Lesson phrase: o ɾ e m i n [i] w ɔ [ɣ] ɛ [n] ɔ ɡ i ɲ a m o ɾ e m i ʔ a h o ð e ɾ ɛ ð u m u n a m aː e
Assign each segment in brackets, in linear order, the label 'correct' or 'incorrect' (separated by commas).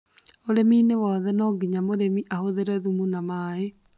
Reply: incorrect, incorrect, correct